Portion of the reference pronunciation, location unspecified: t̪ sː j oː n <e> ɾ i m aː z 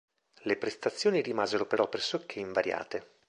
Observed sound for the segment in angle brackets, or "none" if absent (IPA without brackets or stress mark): i